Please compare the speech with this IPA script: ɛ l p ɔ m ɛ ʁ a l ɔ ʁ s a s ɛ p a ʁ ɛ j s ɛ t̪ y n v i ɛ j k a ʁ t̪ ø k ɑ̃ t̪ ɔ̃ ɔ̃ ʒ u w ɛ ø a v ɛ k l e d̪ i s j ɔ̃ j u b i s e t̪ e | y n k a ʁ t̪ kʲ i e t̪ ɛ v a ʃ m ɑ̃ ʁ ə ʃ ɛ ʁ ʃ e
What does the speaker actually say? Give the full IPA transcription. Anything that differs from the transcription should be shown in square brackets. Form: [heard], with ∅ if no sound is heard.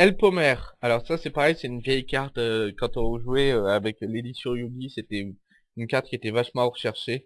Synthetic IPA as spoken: ɛ l p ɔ m ɛ ʁ a l ɔ ʁ s a s ɛ p a ʁ ɛ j s ɛ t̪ y n v [j] ɛ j k a ʁ t̪ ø k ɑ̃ t̪ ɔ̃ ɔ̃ ʒ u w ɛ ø a v ɛ k l e d̪ i s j ɔ̃ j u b i s e t̪ [ɛ] | y n k a ʁ t̪ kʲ i e t̪ ɛ v a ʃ m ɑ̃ ʁ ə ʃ ɛ ʁ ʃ e

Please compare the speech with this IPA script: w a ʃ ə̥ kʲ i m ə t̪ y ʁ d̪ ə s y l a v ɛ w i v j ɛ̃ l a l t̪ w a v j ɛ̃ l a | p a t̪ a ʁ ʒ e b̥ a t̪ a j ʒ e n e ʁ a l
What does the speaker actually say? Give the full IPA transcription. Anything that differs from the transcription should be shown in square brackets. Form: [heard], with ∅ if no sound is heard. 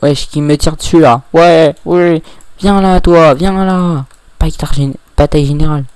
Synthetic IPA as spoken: w [ɛ] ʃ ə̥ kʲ i m ə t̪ [i] ʁ d̪ ə s y l a [w] ɛ w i v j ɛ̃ l a [∅] t̪ w a v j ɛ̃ l a | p a t̪ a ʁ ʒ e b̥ a t̪ a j ʒ e n e ʁ a l

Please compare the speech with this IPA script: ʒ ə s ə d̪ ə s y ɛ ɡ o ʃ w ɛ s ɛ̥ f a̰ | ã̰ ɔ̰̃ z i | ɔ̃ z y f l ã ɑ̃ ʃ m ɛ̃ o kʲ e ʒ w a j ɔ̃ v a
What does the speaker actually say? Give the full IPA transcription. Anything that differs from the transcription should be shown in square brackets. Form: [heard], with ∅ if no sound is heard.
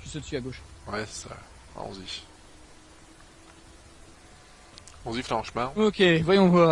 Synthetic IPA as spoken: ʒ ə s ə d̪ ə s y [a] ɡ o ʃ w ɛ s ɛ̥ [s] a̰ | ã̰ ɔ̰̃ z i | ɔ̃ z [i] f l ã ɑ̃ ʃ m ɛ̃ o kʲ e [v] w a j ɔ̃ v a

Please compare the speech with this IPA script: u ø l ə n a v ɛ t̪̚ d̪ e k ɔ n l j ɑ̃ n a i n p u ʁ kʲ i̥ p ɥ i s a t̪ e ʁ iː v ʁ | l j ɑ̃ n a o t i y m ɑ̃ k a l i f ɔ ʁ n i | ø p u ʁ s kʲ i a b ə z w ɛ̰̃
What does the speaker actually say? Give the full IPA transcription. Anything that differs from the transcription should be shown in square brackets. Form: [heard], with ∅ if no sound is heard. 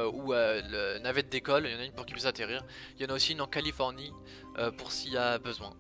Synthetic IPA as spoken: u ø l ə n a v ɛ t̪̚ d̪ e k ɔ [∅] l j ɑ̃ n a [y] n p u ʁ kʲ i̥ p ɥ i s a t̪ e ʁ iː [∅] ʁ | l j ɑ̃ n a o [s] i y [n] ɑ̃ k a l i f ɔ ʁ n i | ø p u ʁ s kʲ i a b ə z w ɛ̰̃

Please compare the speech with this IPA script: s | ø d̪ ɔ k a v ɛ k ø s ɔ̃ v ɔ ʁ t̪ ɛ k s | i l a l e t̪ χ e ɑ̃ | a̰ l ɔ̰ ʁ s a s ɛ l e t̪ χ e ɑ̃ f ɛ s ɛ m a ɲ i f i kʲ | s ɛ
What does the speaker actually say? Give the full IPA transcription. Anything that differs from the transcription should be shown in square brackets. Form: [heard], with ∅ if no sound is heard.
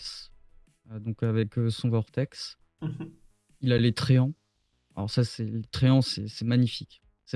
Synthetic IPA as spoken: s | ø d̪ [ɔ̃] k a v ɛ k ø s ɔ̃ v ɔ ʁ t̪ ɛ k s | i l a l e t̪ χ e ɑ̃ | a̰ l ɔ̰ ʁ s a s ɛ l e t̪ χ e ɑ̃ [s] ɛ s ɛ m a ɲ i f i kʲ | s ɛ

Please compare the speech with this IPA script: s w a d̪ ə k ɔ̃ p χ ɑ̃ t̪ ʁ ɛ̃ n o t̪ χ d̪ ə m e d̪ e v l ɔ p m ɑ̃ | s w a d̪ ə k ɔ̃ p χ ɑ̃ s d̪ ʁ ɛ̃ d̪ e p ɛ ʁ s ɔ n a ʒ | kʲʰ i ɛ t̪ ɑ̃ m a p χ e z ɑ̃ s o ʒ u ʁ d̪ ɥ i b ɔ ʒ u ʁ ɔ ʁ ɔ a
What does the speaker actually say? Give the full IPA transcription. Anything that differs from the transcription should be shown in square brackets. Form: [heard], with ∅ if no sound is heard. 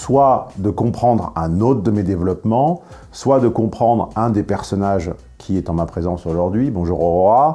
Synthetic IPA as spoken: s w a d̪ ə k ɔ̃ p χ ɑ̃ [d̪] ʁ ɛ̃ n o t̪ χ d̪ ə m e d̪ e v l ɔ p m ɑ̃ | s w a d̪ ə k ɔ̃ p χ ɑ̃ [∅] d̪ ʁ ɛ̃ d̪ e p ɛ ʁ s ɔ n a ʒ | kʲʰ i ɛ t̪ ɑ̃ m a p χ e z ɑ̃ s o ʒ u ʁ d̪ ɥ i b [ɔ̃] ʒ u ʁ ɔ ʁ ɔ a

